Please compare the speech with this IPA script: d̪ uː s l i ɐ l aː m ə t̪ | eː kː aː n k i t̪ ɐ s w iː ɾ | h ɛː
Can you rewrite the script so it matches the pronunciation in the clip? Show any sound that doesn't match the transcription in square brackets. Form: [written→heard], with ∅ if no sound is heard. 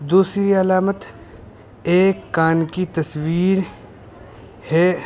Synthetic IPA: d̪ uː s [l→ɾ] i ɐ l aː m ə t̪ | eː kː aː n k i t̪ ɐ s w iː ɾ | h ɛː